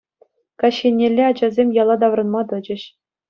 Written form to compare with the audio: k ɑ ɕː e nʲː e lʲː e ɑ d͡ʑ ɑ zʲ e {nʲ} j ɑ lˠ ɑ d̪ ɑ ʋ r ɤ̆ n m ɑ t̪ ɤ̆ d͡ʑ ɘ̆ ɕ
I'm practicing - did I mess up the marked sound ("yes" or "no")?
yes